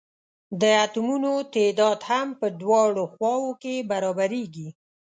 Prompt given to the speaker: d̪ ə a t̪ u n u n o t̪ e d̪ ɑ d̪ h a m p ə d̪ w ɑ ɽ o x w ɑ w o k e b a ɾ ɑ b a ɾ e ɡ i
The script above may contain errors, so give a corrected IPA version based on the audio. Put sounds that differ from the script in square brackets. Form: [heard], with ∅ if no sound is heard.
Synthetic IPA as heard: d̪ ə a t̪ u [m] u n o t̪ e d̪ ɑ d̪ h a m p ə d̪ w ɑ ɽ o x w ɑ w o k e b a ɾ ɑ b a ɾ e ɡ i